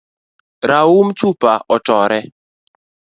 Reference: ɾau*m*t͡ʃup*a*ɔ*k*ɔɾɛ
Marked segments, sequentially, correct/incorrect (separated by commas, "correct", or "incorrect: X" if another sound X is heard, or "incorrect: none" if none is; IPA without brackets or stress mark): correct, correct, incorrect: t